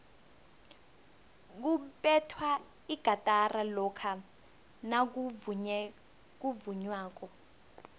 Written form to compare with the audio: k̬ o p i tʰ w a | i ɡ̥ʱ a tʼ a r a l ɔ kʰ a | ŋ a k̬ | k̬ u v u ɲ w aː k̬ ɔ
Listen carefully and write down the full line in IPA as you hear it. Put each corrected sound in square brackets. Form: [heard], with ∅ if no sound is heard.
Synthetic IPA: k̬ [u] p [ɛ] tʰ w a | i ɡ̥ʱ a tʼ a r a l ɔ kʰ a | [n] a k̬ | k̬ u v u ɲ w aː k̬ ɔ